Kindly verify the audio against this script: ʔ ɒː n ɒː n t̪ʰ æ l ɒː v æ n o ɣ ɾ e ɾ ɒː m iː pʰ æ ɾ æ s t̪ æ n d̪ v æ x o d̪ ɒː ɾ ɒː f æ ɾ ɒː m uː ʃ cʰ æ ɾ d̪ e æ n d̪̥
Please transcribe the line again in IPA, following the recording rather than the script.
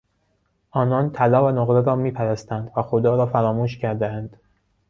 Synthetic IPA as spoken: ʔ ɒː n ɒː n t̪ʰ æ l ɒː v æ n o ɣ ɾ e ɾ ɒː m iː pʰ æ ɾ æ s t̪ æ n d̪ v æ x o d̪ ɒː ɾ ɒː f æ ɾ ɒː m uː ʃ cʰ æ ɾ d̪ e æ n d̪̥

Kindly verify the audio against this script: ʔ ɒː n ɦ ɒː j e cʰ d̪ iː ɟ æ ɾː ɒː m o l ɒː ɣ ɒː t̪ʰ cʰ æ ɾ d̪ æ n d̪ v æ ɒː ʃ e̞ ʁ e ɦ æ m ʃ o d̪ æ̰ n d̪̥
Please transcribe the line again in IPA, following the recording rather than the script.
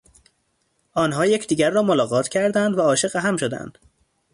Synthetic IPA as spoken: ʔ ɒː n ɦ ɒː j e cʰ d̪ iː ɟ æ ɾː ɒː m o l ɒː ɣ ɒː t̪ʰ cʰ æ ɾ d̪ æ n d̪ v æ ɒː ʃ e̞ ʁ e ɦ æ m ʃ o d̪ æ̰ n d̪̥

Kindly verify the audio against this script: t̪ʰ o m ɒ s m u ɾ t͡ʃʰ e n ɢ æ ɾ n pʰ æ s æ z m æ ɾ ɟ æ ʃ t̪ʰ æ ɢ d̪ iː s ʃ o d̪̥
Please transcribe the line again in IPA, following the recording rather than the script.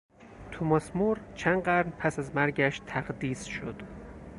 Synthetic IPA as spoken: t̪ʰ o m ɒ s m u ɾ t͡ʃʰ æ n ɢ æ ɾ n pʰ æ s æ z m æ ɾ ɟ æ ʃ t̪ʰ æ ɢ d̪ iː s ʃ o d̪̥

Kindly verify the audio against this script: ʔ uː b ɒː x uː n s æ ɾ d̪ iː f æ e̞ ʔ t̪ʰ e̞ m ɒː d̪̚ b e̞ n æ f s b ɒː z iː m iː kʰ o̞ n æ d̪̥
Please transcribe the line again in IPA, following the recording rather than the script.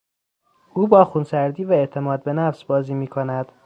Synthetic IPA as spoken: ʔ uː b ɒː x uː n s æ ɾ d̪ iː v æ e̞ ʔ t̪ʰ e̞ m ɒː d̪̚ b e̞ n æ f s b ɒː z iː m iː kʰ o̞ n æ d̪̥

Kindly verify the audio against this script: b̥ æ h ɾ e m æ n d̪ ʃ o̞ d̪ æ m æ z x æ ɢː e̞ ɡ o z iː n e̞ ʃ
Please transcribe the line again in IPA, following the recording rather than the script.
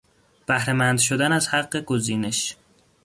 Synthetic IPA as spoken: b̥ æ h ɾ e m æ n d̪ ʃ o̞ d̪ æ n æ z h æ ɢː e̞ ɡ o z iː n e̞ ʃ

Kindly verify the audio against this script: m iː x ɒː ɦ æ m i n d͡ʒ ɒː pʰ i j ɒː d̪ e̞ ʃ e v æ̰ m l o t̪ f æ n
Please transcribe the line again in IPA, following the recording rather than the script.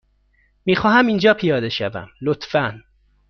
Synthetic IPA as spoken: m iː x ɒː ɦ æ m i n d͡ʒ ɒː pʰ i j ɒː d̪ e̞ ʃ æ v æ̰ m l o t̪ f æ n

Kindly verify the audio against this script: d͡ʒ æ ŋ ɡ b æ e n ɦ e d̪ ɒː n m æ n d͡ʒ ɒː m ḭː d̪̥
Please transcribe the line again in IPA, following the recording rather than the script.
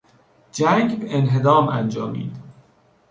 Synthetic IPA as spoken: d͡ʒ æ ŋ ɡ b e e n ɦ e d̪ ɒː m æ n d͡ʒ ɒː m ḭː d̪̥

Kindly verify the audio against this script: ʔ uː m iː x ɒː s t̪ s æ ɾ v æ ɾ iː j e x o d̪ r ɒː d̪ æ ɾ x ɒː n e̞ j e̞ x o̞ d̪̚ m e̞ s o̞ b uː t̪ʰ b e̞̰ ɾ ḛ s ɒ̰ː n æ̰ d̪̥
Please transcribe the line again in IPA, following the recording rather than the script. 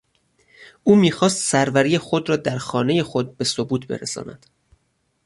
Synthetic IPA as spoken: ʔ uː m iː x ɒː s t̪ s æ ɾ v æ ɾ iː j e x o d̪ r ɒː d̪ æ ɾ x ɒː n e̞ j e̞ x o̞ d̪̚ b e̞ s o̞ b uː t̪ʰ b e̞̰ ɾ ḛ s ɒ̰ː n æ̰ d̪̥

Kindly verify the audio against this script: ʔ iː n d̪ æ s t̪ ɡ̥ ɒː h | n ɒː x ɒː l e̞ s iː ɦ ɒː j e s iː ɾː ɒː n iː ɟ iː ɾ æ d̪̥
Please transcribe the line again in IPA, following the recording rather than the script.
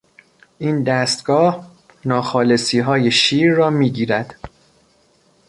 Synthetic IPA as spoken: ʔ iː n d̪ æ s t̪ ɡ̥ ɒː h | n ɒː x ɒː l e̞ s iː ɦ ɒː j e ʃ iː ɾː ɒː m iː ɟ iː ɾ æ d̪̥

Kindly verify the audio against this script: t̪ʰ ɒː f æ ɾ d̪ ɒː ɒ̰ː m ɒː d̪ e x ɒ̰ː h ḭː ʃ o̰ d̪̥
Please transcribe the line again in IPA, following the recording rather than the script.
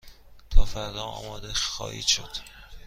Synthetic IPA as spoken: t̪ʰ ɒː f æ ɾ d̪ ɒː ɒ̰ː m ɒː d̪ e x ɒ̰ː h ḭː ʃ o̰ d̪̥

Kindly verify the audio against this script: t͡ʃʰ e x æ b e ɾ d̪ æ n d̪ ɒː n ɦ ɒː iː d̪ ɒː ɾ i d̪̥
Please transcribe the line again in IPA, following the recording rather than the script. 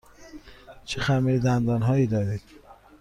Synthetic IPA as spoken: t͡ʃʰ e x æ m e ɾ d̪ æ n d̪ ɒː n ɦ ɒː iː d̪ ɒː ɾ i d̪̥

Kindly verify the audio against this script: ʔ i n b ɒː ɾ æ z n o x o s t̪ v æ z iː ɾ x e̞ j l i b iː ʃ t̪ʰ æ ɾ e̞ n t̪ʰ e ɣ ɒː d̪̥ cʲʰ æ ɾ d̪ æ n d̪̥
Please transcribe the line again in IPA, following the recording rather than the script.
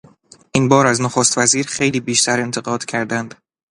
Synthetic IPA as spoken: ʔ i n b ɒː ɾ æ z n o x o s t̪ v æ z iː ɾ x e̞ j l iː b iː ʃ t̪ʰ æ ɾ e̞ n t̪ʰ e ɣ ɒː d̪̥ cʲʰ æ ɾ d̪ æ n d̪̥

